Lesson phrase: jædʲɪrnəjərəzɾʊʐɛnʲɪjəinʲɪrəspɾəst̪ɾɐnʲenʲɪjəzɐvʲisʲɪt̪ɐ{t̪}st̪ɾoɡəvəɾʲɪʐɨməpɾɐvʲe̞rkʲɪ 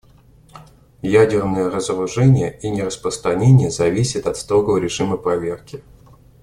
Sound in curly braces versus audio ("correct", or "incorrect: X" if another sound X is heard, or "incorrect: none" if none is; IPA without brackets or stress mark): correct